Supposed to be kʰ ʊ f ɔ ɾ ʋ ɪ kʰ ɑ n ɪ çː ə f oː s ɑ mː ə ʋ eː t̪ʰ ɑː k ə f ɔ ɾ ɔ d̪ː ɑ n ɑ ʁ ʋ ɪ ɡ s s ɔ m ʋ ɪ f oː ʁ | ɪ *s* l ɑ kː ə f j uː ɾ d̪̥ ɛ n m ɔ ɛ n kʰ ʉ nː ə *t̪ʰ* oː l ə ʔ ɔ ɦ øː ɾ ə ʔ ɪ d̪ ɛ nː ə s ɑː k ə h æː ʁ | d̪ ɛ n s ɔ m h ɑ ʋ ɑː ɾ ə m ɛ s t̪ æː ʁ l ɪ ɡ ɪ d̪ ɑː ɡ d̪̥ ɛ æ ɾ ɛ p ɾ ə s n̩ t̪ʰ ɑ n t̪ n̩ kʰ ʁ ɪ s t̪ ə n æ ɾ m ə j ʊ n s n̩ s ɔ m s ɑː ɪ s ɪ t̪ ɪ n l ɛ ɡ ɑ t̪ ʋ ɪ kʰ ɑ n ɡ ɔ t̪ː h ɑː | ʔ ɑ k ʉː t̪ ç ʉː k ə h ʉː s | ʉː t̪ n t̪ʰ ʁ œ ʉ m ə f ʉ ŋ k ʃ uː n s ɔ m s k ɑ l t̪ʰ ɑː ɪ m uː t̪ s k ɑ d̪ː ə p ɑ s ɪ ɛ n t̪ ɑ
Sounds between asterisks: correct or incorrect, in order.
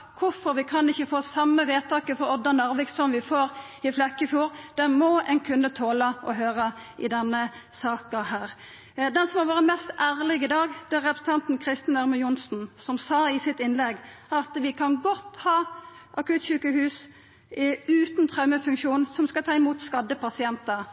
incorrect: f, correct

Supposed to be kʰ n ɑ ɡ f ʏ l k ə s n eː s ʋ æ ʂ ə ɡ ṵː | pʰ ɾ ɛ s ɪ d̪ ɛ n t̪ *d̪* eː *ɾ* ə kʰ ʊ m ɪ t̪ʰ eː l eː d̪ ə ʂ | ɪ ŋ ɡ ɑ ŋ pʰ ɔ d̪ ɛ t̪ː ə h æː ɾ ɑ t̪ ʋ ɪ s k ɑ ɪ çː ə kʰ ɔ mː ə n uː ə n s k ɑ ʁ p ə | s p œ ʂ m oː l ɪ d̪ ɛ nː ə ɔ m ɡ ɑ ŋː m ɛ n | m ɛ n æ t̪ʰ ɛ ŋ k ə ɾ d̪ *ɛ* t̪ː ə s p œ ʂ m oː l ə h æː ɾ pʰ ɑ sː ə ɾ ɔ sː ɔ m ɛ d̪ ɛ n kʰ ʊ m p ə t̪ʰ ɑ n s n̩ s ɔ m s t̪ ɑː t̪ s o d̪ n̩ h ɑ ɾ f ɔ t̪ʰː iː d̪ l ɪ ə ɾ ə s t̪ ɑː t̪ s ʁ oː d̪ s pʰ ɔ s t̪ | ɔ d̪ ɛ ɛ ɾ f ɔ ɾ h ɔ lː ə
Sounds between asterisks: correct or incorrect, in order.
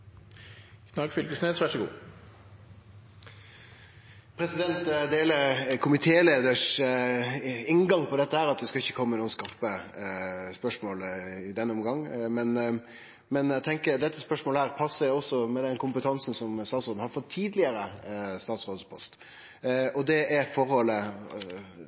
correct, incorrect: l, correct

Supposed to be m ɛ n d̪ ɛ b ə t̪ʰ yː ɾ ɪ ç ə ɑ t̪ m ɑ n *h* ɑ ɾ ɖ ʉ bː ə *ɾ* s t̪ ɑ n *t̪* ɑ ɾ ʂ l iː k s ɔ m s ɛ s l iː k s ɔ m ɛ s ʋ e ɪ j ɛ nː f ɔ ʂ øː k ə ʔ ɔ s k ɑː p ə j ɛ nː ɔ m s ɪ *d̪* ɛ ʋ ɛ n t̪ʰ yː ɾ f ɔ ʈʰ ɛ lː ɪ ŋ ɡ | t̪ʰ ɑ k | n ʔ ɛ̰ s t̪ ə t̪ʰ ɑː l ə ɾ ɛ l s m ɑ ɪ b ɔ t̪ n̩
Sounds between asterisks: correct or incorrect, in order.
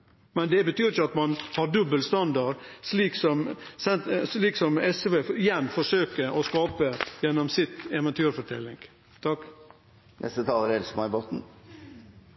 correct, incorrect: l, incorrect: d̪, incorrect: t̪

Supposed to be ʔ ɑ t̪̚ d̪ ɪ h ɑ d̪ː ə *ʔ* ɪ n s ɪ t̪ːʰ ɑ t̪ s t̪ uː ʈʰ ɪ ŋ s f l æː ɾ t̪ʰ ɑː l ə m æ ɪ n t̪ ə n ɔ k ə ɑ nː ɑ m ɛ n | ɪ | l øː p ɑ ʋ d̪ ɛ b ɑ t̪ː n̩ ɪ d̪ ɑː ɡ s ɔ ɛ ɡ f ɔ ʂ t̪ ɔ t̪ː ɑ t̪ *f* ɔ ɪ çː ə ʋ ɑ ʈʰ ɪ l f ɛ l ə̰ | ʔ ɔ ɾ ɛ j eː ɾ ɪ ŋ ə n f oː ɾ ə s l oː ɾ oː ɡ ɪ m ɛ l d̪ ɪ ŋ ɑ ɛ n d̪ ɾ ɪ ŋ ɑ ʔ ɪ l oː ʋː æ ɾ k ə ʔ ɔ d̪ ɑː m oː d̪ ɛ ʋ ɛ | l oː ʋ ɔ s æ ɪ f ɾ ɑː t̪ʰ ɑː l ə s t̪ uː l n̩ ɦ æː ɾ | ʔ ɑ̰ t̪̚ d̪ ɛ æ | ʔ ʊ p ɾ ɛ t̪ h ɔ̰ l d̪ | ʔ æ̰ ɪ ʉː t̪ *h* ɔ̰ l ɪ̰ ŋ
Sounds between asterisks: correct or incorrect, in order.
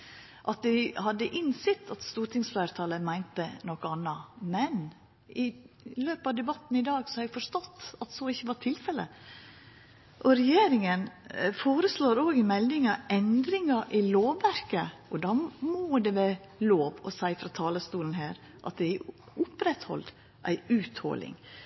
correct, incorrect: s, correct

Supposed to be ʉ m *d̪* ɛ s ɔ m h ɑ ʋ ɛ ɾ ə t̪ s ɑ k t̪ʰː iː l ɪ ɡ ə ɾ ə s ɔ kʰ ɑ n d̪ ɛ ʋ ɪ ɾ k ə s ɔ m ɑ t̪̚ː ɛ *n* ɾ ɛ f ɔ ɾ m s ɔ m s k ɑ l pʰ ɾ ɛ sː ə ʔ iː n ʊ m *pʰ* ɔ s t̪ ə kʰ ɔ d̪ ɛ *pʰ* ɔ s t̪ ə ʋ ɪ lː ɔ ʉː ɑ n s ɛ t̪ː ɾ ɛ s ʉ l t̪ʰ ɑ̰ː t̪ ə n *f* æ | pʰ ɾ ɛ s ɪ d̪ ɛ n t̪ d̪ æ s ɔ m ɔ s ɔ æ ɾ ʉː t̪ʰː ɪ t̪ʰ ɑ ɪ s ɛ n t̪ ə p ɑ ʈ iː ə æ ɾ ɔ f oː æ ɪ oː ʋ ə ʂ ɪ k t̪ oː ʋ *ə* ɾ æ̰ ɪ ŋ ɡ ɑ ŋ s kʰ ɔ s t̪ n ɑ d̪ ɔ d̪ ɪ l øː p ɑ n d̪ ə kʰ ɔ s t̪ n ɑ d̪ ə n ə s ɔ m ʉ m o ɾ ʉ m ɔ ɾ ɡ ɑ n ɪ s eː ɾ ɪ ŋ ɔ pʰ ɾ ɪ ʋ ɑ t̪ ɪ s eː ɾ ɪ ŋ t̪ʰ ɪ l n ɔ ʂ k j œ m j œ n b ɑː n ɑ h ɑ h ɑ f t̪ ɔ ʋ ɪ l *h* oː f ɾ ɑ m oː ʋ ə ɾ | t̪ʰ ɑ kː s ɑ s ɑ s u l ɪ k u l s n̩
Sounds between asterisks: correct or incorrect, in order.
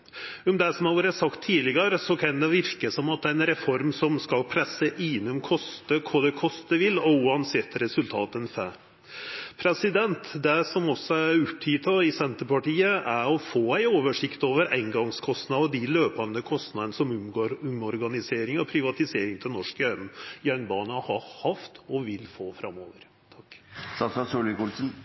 correct, correct, incorrect: kʰ, incorrect: kʰ, correct, correct, incorrect: f

